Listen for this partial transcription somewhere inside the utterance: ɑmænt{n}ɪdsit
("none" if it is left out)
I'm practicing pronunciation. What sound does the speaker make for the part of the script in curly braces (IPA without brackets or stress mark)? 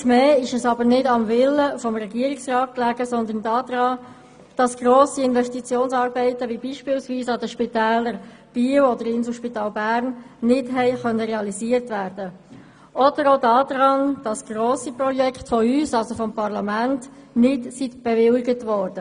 n